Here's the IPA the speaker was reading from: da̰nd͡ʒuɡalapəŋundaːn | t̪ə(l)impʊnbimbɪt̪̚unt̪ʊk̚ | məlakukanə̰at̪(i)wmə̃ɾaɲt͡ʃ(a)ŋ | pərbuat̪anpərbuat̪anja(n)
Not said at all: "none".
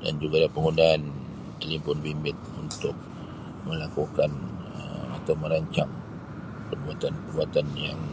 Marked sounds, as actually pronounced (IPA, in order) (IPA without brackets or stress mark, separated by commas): l, a, a, ŋ